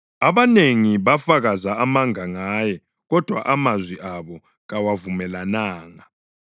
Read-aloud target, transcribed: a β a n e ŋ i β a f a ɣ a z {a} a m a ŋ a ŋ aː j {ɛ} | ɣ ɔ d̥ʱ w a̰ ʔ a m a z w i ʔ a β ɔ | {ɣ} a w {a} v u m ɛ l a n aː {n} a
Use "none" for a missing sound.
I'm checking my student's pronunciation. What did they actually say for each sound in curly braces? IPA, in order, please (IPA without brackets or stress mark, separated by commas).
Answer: a, ɛ, ɣ, a, ŋ